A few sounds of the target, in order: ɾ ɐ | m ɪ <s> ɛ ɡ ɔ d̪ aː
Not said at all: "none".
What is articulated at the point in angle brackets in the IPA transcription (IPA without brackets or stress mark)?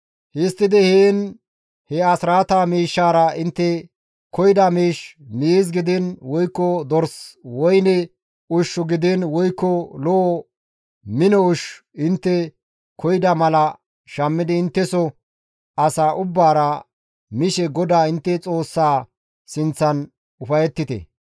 ʃ